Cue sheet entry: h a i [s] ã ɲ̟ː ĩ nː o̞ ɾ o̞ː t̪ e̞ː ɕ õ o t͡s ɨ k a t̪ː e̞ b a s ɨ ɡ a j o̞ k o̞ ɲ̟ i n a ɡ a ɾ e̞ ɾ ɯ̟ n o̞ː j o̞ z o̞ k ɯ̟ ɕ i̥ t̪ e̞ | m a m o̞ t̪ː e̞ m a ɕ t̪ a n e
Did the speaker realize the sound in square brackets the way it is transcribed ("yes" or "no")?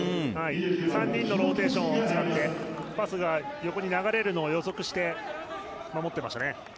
yes